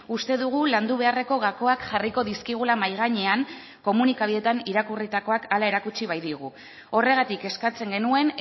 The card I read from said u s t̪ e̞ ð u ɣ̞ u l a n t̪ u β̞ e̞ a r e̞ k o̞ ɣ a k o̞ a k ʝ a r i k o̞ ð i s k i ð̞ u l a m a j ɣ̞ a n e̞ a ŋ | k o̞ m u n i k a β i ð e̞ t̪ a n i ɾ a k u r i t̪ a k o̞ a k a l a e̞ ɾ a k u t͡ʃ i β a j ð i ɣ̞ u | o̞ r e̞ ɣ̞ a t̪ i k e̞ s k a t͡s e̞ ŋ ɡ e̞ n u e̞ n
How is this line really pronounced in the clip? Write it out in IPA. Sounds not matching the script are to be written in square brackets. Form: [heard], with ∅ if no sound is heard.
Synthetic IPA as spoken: u s t̪ e̞ ð u ɣ̞ u l a n [d̪] u β̞ e̞ a r e̞ k o̞ ɣ a k o̞ a k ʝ a r i k o̞ ð i s k i [ɣ̞] u l a m a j ɣ̞ a [ɲ] e̞ a ŋ | k o̞ m u n i k a β i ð e̞ t̪ a n i ɾ a k u r i t̪ a k o̞ a k a l a e̞ ɾ a k u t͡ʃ i β a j ð i ɣ̞ u | o̞ r e̞ ɣ̞ a t̪ i k e̞ s k a t͡s e̞ ŋ ɡ e̞ n u e̞ n

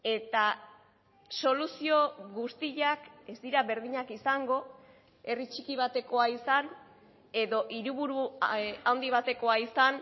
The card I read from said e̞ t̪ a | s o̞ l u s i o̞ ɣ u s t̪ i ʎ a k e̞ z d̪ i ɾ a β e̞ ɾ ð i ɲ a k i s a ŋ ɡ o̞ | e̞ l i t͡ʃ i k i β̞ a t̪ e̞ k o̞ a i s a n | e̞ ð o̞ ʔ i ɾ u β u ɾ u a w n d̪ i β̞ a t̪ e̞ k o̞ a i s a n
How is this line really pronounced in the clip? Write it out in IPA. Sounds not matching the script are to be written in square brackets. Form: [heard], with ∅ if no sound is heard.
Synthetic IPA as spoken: e̞ t̪ a | s o̞ l u s i o̞ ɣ u s t̪ i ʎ a k e̞ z d̪ i ɾ a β e̞ ɾ ð i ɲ a k i s a ŋ ɡ o̞ | e̞ [r] i t͡ʃ i k i β̞ a t̪ e̞ k o̞ a i s a n | e̞ ð o̞ ʔ i ɾ u β u ɾ u a w n d̪ i β̞ a t̪ e̞ k o̞ a i s a n

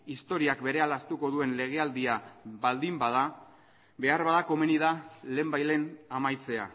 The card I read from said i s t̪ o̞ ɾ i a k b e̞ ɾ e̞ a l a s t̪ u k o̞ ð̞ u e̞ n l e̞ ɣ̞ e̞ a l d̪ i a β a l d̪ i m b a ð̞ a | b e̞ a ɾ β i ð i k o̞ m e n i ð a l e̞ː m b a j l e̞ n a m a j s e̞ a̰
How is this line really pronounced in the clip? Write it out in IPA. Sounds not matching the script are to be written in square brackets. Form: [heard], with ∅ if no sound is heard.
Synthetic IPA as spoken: i s t̪ o̞ ɾ i a k b e̞ ɾ e̞ a l a s t̪ u k o̞ ð̞ u e̞ n l e̞ ɣ̞ e̞ a l d̪ i a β a l d̪ i m b a ð̞ a | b e̞ a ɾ β [a] ð [a] k o̞ m e n i ð a l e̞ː m b a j l e̞ n a m a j [t͡s] e̞ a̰

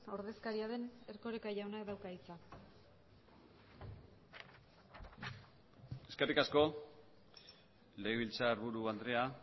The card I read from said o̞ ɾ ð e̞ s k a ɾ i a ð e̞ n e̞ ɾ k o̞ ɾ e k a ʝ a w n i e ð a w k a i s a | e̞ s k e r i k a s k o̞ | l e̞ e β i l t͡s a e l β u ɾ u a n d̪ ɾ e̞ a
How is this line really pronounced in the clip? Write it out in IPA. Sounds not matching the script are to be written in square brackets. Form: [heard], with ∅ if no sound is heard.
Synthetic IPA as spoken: o̞ ɾ ð e̞ s k a ɾ i a ð e̞ n e̞ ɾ k o̞ ɾ e k a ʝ a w n [a] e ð a w k a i [t͡s] a | e̞ s k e r i k a s k o̞ | l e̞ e β i l t͡s a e [ɾ] β u ɾ u a n d̪ ɾ e̞ a

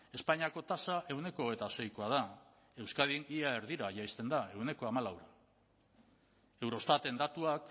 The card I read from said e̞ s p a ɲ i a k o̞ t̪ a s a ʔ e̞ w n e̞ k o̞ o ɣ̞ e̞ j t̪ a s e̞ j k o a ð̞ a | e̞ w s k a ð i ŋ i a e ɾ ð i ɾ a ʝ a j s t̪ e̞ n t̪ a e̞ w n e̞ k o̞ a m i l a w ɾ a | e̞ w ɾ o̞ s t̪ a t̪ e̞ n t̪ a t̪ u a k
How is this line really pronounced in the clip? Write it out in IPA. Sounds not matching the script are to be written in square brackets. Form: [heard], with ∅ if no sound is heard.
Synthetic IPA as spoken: e̞ s p a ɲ i a k o̞ t̪ a s a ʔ e̞ w n e̞ k o̞ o ɣ̞ e̞ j t̪ a s e̞ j k o a ð̞ a | e̞ w s k a ð i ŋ i a e ɾ ð i ɾ a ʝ a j s t̪ e̞ n [d̪] a e̞ w n e̞ k o̞ a m [a] l a w ɾ a | e̞ w ɾ o̞ s t̪ a t̪ e̞ n [d̪] a t̪ u a k

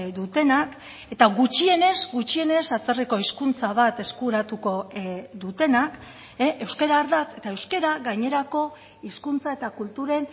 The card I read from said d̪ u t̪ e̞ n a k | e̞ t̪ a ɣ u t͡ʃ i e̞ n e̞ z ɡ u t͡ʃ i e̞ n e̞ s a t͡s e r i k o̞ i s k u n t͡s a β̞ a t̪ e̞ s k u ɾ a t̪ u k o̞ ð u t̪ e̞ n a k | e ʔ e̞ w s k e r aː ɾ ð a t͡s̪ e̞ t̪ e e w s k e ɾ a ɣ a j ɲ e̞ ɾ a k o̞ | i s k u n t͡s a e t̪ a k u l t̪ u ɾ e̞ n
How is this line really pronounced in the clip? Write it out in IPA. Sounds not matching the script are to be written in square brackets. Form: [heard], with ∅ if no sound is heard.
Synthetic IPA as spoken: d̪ u t̪ e̞ n a k | e̞ t̪ a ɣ u t͡ʃ i e̞ n e̞ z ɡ u t͡ʃ i e̞ n e̞ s a t͡s e r i k o̞ i s k u n t͡s a β̞ a t̪ e̞ s k u ɾ a t̪ u k o̞ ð u t̪ e̞ n a k | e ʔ e̞ w s k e [ɾ] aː ɾ ð a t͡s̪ e̞ t̪ [a] e w s k e ɾ a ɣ a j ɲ e̞ ɾ a k o̞ | i s k u n t͡s a e t̪ a k u l t̪ u ɾ e̞ n

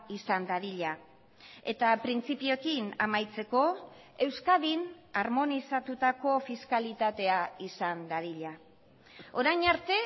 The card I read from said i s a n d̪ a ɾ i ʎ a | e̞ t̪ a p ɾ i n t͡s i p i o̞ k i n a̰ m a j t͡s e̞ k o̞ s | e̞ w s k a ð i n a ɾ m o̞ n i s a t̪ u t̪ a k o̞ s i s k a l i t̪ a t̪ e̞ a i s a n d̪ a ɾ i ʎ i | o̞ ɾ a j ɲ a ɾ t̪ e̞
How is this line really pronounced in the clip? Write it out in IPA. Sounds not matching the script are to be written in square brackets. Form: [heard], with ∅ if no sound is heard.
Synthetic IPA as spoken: i s a n d̪ a ɾ i ʎ a | e̞ t̪ a p ɾ i n t͡s i p i o̞ k i n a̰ m a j t͡s e̞ k o̞ [∅] | e̞ w s k a ð i n a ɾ m o̞ n i s a t̪ u t̪ a k o̞ [f] i s k a l i t̪ a t̪ e̞ a i s a n d̪ a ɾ i ʎ [a] | o̞ ɾ a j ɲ a ɾ t̪ e̞

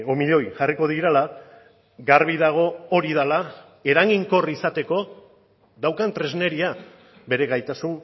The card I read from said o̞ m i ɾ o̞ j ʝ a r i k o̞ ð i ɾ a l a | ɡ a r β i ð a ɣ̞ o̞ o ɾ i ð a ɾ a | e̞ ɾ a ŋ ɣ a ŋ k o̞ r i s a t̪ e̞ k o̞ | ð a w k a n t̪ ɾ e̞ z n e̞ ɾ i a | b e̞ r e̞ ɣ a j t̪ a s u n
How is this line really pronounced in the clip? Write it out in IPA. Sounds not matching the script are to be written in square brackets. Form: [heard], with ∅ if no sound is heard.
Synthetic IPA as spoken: o̞ m i [ʎ] o̞ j ʝ a r i k o̞ ð i ɾ a l a | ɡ a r β i ð a ɣ̞ o̞ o ɾ i ð a [l] a | e̞ ɾ a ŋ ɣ [i] ŋ k o̞ r i s a t̪ e̞ k o̞ | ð a w k a n t̪ ɾ e̞ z n e̞ ɾ i a | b e̞ [ɾ] e̞ ɣ a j t̪ a s u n

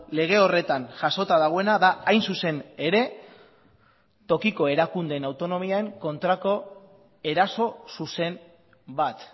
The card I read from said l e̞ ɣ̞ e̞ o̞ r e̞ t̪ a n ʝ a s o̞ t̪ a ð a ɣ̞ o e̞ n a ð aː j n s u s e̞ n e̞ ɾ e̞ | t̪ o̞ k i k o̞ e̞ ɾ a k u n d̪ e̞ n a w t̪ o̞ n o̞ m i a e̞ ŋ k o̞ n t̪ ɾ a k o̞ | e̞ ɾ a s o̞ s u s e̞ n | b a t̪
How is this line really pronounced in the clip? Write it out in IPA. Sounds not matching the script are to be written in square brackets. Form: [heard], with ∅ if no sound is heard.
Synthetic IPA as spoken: l e̞ ɣ̞ e̞ o̞ r e̞ t̪ a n ʝ a s o̞ t̪ a ð a ɣ̞ o e̞ n a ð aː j n s u s e̞ n e̞ ɾ e̞ | t̪ o̞ k i k o̞ e̞ ɾ a k u n d̪ e̞ n a w t̪ o̞ n o̞ m i a e̞ ŋ k o̞ n t̪ ɾ a k o̞ | e̞ ɾ a s o̞ s u s e̞ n | b a t̪

